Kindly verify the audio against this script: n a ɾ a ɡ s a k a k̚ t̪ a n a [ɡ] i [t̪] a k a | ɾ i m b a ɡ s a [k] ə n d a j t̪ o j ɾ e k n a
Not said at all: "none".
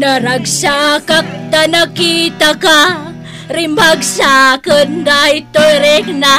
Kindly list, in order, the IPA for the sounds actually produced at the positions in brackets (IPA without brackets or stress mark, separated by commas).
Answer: k, t̪, k